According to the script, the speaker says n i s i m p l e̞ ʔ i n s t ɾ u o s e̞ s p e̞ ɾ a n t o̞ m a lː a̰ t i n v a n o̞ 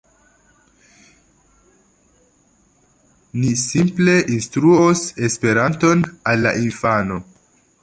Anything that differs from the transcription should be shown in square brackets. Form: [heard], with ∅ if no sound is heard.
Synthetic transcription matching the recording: n i s i m p l e̞ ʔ i n s t ɾ u o s e̞ s p e̞ ɾ a n t o̞ [n] a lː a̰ [ʔ] i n [f] a n o̞